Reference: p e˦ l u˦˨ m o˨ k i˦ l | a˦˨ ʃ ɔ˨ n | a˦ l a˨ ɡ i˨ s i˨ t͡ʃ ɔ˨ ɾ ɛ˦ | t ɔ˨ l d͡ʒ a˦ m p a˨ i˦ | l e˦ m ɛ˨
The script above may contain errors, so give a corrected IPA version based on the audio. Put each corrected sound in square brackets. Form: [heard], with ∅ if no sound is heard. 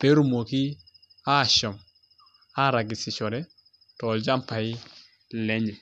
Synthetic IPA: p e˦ [ɾ] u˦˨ m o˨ k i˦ [∅] | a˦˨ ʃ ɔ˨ [m] | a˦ [ɾ] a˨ ɡ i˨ s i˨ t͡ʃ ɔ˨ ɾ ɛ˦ | t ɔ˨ l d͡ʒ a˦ m p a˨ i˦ | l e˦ [ɲ] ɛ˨